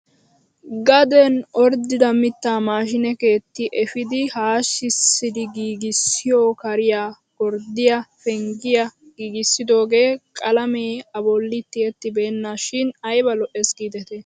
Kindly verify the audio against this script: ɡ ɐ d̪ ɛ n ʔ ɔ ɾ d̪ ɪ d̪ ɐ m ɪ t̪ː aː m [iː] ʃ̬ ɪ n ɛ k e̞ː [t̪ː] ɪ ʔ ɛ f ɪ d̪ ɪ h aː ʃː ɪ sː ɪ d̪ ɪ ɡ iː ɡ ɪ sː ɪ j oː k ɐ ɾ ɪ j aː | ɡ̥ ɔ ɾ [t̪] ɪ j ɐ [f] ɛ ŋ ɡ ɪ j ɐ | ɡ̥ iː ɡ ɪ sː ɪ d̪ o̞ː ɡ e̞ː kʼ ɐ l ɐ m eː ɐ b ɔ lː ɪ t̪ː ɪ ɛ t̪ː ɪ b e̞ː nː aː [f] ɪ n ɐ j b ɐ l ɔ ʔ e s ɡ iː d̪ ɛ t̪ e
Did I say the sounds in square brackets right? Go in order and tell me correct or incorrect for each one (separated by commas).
incorrect, correct, incorrect, correct, incorrect